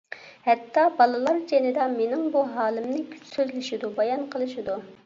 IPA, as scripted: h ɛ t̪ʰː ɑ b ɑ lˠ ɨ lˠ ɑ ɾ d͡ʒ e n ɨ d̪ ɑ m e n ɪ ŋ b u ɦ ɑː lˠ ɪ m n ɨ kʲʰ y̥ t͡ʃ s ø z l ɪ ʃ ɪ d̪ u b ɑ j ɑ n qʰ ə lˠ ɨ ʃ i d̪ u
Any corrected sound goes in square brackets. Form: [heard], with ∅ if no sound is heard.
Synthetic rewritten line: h ɛ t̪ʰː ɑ b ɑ lˠ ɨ lˠ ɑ ɾ d͡ʒ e n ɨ d̪ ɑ m e n ɪ ŋ b u ɦ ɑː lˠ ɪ m n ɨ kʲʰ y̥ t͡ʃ s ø z l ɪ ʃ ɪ d̪ u b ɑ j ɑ n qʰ ə lˠ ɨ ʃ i d̪ u